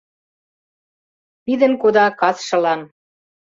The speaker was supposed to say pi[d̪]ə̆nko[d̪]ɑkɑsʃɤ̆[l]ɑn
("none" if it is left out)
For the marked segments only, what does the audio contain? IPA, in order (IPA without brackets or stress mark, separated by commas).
d̪, d̪, l